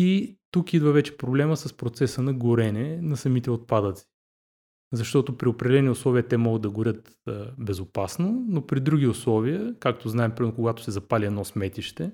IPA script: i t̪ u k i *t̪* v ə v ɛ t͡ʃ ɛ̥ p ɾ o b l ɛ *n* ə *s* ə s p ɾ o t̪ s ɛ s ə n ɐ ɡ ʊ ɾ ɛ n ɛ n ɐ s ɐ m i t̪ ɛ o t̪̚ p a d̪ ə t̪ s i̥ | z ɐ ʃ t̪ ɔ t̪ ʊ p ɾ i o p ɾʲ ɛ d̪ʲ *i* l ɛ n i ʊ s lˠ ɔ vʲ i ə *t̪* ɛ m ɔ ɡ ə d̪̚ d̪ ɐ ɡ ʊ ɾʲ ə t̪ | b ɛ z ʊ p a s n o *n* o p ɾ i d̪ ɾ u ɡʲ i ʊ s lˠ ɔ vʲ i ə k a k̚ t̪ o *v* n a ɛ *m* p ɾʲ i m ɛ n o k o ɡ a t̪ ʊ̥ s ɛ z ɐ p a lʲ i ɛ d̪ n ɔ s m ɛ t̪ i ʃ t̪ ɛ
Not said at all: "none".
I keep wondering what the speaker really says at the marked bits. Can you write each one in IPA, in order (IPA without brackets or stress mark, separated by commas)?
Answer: d̪, m, s, ɛ, t̪, n, z, m